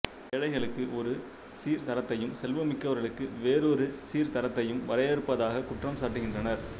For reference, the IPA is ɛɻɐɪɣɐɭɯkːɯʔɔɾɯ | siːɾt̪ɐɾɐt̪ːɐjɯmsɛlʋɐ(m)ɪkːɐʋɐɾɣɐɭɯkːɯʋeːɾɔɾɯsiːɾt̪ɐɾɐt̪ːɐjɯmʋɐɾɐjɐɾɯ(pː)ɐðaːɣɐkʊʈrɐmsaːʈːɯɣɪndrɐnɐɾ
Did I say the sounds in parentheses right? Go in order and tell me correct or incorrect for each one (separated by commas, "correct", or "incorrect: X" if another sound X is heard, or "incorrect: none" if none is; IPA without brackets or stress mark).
correct, correct